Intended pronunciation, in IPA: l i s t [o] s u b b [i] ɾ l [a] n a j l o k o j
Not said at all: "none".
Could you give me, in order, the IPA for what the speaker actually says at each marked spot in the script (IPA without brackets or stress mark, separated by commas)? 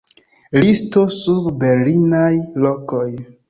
o, e, i